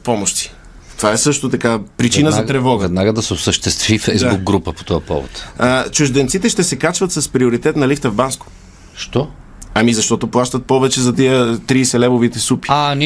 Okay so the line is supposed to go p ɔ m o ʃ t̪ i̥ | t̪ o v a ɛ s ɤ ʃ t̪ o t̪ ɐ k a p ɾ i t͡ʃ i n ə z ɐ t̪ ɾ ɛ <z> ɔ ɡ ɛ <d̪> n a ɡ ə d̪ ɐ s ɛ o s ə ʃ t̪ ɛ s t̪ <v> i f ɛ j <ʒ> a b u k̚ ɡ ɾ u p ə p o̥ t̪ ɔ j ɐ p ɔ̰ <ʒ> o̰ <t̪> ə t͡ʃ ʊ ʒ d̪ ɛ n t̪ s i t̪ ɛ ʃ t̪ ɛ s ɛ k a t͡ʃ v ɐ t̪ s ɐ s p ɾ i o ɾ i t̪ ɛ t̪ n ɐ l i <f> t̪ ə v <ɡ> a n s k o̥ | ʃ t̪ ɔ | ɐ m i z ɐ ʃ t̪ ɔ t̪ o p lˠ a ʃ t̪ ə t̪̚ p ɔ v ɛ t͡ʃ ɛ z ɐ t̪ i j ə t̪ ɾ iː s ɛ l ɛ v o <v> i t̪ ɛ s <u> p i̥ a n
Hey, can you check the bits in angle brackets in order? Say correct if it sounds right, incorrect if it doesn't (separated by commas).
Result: incorrect, correct, correct, incorrect, incorrect, correct, correct, incorrect, correct, correct